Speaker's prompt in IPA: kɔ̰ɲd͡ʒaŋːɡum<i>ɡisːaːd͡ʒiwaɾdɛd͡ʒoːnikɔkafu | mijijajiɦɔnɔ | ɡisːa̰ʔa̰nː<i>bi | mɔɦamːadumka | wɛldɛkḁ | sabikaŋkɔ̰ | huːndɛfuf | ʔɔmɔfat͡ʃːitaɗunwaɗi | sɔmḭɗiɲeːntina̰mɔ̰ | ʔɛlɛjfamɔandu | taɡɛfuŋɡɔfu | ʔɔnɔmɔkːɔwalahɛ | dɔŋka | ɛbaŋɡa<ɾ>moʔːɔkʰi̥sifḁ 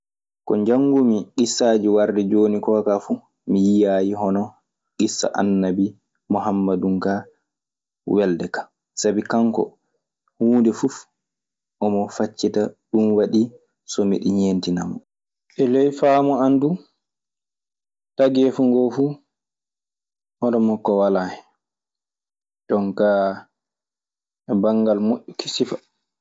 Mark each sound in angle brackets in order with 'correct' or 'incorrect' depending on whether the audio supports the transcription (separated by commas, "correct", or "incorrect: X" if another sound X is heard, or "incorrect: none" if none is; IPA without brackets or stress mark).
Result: correct, incorrect: a, incorrect: l